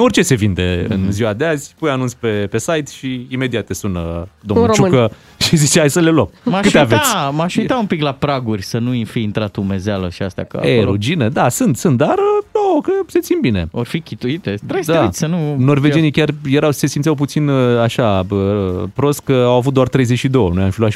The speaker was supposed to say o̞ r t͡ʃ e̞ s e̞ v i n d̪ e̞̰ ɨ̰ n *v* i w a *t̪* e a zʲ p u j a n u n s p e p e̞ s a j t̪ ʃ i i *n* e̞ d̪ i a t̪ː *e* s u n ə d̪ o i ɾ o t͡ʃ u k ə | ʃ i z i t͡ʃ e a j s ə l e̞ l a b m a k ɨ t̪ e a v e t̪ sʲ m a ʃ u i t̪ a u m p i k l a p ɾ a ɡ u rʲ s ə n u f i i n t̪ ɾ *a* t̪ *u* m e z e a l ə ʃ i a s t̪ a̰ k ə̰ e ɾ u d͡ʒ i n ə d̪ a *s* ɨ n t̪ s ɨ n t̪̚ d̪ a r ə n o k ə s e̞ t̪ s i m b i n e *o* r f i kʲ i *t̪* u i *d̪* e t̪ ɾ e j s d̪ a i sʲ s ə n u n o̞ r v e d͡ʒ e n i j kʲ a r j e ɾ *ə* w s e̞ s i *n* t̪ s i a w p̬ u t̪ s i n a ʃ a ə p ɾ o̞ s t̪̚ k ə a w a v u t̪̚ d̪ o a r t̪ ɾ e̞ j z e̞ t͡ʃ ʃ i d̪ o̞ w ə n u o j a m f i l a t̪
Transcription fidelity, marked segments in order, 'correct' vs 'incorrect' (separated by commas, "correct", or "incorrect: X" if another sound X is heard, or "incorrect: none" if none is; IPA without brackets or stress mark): incorrect: z, incorrect: d̪, incorrect: m, correct, correct, correct, correct, correct, correct, incorrect: t̪, incorrect: a, incorrect: m